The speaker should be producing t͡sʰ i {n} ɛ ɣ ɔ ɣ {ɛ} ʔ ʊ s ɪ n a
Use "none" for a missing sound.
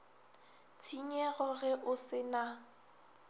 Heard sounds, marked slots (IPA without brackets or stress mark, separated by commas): ɲ, ɛ